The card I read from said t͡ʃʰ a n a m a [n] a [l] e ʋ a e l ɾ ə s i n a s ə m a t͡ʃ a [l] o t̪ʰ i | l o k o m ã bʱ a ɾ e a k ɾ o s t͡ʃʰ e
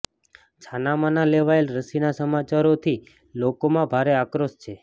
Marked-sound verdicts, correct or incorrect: correct, correct, incorrect: ɾ

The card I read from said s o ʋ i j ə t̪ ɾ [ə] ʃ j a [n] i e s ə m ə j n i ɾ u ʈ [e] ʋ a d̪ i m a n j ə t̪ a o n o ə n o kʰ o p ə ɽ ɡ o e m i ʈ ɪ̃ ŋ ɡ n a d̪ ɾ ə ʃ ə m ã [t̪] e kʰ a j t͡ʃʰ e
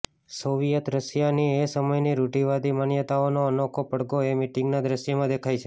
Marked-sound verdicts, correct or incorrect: correct, correct, incorrect: i, incorrect: d̪

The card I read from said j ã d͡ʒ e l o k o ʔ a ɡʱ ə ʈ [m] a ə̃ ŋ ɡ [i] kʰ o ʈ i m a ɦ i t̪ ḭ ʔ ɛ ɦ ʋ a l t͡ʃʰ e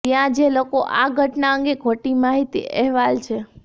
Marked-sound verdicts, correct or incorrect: incorrect: n, incorrect: e

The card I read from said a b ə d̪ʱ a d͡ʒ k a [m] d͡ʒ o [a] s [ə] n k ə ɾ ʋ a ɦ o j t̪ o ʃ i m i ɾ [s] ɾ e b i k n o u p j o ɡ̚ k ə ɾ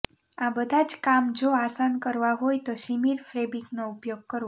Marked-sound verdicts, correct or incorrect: correct, correct, incorrect: a, incorrect: f

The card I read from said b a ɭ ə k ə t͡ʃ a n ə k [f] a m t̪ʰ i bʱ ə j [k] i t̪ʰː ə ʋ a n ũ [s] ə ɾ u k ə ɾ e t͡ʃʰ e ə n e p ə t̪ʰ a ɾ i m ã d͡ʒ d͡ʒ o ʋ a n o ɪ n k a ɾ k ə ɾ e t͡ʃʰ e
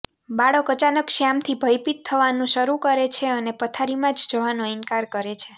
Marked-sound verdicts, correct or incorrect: incorrect: ʃ, incorrect: p, incorrect: ʃ

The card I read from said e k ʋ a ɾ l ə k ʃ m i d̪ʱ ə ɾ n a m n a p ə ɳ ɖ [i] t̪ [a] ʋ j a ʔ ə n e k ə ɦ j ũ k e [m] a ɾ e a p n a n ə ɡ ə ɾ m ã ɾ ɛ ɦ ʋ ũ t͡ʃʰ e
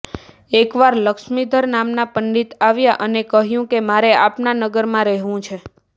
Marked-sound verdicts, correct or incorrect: correct, correct, correct

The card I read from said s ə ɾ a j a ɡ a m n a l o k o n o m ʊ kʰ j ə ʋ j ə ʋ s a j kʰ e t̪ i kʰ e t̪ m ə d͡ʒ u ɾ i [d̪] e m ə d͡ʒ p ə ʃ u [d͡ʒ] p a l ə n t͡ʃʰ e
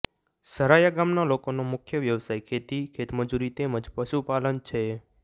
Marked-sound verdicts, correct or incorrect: incorrect: t̪, incorrect: none

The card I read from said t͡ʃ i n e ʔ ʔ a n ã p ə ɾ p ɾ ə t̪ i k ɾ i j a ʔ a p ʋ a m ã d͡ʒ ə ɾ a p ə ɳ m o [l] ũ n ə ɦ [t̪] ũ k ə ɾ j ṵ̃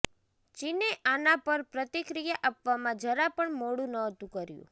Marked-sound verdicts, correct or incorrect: incorrect: ɽ, correct

